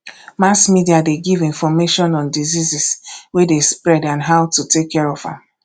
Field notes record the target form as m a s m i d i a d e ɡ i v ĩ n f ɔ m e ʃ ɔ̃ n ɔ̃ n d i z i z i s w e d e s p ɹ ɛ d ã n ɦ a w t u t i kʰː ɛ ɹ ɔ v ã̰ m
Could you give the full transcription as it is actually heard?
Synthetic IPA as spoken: m a s m i d i a d e ɡ i v ĩ n f ɔ m e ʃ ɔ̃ n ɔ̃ n d i z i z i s w e d e s p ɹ ɛ d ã n ɦ a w t u t e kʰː ɛ ɹ ɔ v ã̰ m